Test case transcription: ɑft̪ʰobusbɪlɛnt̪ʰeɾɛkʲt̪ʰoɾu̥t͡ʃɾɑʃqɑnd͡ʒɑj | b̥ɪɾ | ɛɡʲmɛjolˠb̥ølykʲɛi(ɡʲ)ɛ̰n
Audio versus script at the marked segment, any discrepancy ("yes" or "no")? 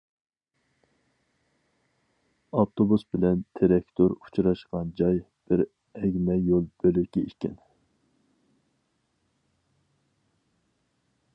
yes